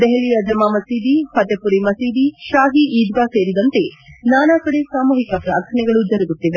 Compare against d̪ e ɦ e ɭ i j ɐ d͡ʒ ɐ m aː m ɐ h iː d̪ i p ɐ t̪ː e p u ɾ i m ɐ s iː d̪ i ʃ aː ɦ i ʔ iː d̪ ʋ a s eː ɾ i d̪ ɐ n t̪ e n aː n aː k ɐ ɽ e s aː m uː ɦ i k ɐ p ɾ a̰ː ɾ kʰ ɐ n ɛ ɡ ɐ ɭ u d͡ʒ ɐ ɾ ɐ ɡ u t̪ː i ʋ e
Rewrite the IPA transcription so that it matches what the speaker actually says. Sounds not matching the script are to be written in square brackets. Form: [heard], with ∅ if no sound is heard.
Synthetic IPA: d̪ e ɦ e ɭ i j ɐ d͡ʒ ɐ m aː m ɐ [s] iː d̪ i p ɐ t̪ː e p u ɾ i m ɐ s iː d̪ i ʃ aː ɦ i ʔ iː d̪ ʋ a s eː ɾ i d̪ ɐ n t̪ e n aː n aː k ɐ ɽ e s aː m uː ɦ i k ɐ p ɾ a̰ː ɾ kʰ ɐ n ɛ ɡ ɐ ɭ u d͡ʒ ɐ ɾ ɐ ɡ u t̪ː i ʋ e